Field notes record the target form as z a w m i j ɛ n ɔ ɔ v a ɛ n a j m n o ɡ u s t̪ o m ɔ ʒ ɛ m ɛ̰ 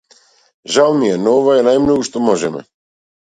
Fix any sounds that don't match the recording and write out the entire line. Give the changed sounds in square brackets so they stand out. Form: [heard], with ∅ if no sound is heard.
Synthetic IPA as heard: [ʒ] a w m i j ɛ n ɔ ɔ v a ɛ n a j m n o ɡ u [ʃ] t̪ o m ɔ ʒ ɛ m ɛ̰